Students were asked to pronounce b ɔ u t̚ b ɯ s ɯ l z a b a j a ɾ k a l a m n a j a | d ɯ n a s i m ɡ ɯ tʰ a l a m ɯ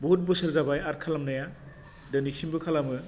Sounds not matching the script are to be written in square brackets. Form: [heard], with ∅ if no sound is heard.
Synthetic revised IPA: b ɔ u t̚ b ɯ s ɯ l z a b a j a ɾ [kʰ] a l a m n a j a | d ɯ n [i] s i m [b] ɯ [kʰ] a l a m ɯ